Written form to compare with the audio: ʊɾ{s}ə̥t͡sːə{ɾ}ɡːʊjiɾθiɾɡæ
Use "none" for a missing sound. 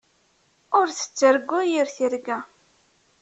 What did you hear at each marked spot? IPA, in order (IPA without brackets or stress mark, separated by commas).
θ, ɾ